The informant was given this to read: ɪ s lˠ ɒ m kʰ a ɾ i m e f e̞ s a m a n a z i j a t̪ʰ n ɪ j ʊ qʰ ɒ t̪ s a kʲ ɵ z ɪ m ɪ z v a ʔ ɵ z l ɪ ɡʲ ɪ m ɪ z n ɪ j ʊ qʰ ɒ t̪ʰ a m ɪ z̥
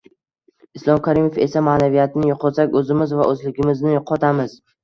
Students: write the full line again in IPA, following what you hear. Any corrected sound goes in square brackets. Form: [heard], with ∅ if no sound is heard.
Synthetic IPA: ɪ s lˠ ɒ m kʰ a ɾ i m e f e̞ s a m a n a [v] i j a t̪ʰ n ɪ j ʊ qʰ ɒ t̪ s a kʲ ɵ z ɪ m ɪ z v a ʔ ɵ z l ɪ ɡʲ ɪ m ɪ z n ɪ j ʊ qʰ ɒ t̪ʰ a m ɪ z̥

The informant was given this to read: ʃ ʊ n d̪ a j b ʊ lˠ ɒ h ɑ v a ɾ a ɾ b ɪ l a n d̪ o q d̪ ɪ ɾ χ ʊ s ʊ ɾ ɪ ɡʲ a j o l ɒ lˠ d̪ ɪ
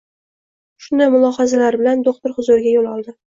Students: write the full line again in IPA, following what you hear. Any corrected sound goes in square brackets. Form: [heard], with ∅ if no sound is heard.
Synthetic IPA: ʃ ʊ n d̪ a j [m] ʊ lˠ ɒ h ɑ [z] a [l] a ɾ b ɪ l a n d̪ o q [t̪] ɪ ɾ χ ʊ [z] ʊ ɾ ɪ ɡʲ a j o l ɒ lˠ d̪ ɪ

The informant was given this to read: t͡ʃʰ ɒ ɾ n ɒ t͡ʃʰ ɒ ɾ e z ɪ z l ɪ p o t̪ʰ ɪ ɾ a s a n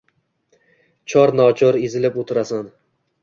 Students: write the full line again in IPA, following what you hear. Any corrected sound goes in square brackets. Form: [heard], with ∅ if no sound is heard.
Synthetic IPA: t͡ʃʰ ɒ ɾ n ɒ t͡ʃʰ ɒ ɾ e z ɪ [∅] l ɪ p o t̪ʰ ɪ ɾ a s a n

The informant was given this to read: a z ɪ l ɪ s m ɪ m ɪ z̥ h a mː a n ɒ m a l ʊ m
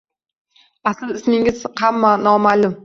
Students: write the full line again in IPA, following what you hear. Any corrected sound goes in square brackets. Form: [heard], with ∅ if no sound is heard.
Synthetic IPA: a [s] ɪ l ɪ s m ɪ [ŋ] ɪ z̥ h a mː a n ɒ m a l ʊ m

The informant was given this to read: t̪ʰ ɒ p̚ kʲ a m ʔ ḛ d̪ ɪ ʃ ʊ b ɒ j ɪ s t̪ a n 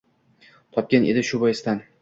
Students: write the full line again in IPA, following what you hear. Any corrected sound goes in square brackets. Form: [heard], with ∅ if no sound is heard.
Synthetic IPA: t̪ʰ ɒ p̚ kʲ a [n] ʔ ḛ d̪ ɪ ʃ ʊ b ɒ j ɪ s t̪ a n

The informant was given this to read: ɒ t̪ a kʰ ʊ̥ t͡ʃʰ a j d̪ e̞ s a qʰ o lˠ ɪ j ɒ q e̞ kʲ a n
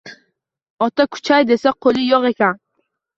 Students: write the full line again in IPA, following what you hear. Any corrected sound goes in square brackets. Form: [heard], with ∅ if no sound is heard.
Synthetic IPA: ɒ t̪ a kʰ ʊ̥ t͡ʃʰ a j d̪ e̞ s a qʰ o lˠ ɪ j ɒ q e̞ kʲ a n

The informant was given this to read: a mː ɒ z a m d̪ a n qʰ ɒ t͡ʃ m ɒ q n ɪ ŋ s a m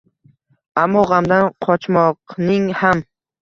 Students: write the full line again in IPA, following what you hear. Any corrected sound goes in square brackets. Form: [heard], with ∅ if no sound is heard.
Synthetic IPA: a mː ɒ [ʁ] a m d̪ a n qʰ ɒ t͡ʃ m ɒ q n ɪ ŋ [h] a m

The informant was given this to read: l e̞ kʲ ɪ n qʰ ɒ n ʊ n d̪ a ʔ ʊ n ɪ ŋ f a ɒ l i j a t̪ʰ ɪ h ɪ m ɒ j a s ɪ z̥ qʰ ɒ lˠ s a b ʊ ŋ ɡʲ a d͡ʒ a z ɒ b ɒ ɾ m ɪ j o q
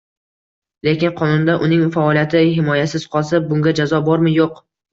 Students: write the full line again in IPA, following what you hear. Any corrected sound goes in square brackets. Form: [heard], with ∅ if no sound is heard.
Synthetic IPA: l e̞ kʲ ɪ n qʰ ɒ n ʊ n d̪ a ʔ ʊ n ɪ ŋ f a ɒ l i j a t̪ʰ ɪ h ɪ m ɒ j a s ɪ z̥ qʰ ɒ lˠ s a b ʊ ŋ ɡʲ a d͡ʒ a z ɒ b ɒ ɾ m ɪ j o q

